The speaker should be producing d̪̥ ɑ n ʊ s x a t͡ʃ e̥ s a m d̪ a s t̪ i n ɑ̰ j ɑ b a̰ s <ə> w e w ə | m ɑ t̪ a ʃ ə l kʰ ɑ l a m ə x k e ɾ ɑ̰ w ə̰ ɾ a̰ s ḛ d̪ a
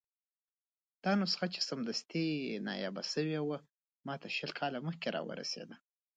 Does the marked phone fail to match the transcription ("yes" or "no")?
no